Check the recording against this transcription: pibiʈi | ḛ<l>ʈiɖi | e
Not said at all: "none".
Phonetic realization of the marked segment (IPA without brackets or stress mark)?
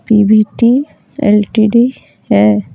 l